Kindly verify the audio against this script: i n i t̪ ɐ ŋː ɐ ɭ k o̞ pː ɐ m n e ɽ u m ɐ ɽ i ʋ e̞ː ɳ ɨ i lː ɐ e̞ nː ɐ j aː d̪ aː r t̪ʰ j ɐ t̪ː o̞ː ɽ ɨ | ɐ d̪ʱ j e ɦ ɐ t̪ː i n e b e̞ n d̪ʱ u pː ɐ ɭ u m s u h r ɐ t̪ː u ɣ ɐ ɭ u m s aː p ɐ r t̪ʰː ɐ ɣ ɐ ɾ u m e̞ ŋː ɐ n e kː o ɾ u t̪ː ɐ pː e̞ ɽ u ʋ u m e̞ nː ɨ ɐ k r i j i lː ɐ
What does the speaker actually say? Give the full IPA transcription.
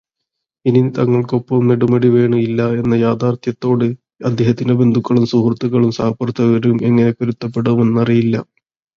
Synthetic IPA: i n i t̪ ɐ ŋː ɐ ɭ k o̞ pː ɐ m n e ɽ u m ɐ ɽ i ʋ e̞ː ɳ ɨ i lː ɐ e̞ nː ɐ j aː d̪ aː r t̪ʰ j ɐ t̪ː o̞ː ɽ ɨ | ɐ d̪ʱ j e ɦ ɐ t̪ː i n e b e̞ n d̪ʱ u kː ɐ ɭ u m s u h r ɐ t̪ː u ɣ ɐ ɭ u m s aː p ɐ r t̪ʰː ɐ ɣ ɐ ɾ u m e̞ ŋː ɐ n e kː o ɾ u t̪ː ɐ pː e̞ ɽ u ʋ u m e̞ nː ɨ ɐ r i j i lː ɐ